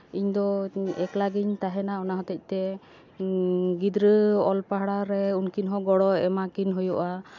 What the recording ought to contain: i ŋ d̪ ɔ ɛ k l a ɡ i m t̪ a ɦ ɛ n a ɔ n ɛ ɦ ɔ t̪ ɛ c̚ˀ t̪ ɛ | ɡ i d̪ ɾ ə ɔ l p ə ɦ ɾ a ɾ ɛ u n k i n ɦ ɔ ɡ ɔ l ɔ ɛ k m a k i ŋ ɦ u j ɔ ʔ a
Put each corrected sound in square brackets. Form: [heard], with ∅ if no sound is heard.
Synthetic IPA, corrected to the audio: i [ɲ] d̪ ɔ ɛ k l a ɡ i [ɲ] t̪ a ɦ ɛ n a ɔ n [a] ɦ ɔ t̪ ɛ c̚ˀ t̪ ɛ | ɡ i d̪ ɾ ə ɔ l p [a] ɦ [ɽ] a ɾ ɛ u n k i n ɦ ɔ ɡ ɔ [ɽ] ɔ ɛ [∅] m a k i [n] ɦ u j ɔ ʔ a